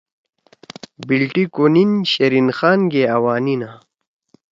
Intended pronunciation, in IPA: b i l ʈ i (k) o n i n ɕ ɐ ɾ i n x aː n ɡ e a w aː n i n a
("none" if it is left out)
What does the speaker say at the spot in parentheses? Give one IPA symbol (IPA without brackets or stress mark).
k